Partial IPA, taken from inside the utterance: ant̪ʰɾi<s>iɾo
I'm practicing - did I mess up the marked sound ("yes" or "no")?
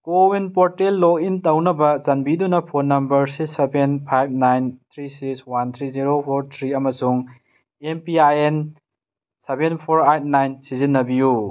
yes